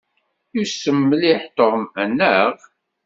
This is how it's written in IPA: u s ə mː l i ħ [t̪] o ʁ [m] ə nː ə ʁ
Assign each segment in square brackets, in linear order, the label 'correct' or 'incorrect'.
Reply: correct, correct

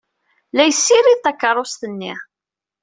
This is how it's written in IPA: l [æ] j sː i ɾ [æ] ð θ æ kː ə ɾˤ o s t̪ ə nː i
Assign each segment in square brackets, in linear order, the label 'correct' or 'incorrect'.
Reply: correct, incorrect

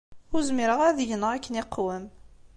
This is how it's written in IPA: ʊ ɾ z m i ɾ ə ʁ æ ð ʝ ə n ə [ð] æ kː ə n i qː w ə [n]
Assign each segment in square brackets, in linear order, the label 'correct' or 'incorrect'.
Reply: incorrect, incorrect

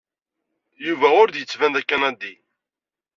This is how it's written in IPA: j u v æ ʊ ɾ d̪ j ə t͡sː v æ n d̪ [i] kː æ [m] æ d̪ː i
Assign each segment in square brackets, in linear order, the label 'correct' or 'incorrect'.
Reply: incorrect, incorrect

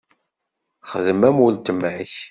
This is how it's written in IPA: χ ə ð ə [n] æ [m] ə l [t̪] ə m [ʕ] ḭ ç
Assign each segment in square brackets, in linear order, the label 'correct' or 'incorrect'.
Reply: incorrect, correct, correct, correct

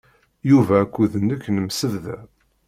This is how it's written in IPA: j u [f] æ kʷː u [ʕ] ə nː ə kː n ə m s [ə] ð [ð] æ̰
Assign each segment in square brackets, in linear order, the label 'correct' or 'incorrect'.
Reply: incorrect, incorrect, correct, correct

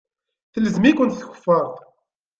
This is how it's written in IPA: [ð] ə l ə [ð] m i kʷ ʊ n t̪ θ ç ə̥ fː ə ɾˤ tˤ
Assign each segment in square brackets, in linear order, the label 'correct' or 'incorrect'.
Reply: incorrect, incorrect

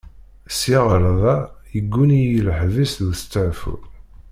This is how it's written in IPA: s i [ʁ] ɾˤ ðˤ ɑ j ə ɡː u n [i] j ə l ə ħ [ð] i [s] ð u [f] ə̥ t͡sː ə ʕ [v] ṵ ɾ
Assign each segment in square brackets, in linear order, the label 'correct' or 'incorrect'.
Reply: correct, correct, incorrect, correct, incorrect, incorrect

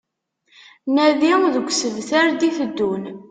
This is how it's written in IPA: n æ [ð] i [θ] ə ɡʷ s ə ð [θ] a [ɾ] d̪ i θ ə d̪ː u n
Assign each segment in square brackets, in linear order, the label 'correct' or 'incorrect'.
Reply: correct, incorrect, correct, correct

